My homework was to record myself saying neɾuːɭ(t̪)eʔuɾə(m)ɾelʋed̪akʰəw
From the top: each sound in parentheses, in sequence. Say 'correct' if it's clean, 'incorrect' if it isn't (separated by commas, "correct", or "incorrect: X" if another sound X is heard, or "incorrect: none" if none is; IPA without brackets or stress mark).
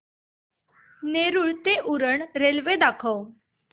correct, incorrect: ɳ